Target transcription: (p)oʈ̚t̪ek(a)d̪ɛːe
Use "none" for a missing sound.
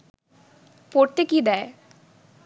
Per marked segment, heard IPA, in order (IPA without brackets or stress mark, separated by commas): p, i